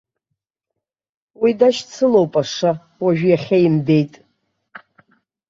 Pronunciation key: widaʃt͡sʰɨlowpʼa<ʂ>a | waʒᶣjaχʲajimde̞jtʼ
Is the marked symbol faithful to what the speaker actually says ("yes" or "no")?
yes